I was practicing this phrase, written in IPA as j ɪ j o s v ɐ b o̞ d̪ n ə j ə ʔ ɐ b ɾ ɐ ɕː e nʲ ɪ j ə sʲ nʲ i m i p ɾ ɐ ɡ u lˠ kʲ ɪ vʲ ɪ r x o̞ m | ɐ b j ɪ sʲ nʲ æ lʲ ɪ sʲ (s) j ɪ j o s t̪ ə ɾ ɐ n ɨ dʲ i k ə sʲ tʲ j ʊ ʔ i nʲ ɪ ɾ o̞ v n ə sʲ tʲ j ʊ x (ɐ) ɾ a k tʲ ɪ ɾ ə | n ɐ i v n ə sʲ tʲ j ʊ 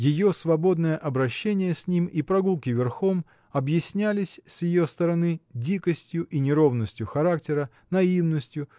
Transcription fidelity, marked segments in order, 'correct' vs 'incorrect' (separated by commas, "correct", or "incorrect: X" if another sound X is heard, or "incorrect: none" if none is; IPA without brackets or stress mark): correct, correct